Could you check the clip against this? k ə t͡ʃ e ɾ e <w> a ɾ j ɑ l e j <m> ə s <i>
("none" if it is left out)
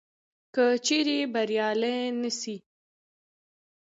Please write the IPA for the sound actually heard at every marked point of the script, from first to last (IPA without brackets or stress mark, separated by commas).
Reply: b, n, i